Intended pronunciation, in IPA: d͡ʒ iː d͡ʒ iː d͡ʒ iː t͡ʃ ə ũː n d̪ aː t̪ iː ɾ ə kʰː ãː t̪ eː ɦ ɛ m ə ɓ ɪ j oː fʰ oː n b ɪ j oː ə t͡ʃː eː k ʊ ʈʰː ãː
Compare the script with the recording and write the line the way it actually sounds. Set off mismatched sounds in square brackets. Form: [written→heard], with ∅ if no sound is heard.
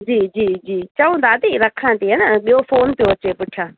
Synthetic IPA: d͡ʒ iː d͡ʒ iː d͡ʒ iː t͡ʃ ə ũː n d̪ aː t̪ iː ɾ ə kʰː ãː t̪ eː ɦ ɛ [m→n] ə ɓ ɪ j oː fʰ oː n [b→p] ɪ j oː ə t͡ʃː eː [k→p] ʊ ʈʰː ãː